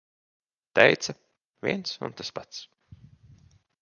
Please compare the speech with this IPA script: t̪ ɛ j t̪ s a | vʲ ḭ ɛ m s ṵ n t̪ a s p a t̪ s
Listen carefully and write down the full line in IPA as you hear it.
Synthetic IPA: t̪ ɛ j t̪ s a | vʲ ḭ ɛ n s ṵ n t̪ a s p a t̪ s